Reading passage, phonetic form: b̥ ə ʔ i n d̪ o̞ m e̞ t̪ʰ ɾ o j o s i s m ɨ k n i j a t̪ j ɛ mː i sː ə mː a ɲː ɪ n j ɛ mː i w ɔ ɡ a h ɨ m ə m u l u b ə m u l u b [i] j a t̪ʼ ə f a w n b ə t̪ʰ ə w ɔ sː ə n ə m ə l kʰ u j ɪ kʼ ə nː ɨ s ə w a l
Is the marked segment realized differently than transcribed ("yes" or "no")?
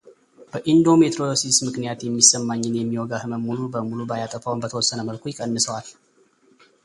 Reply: yes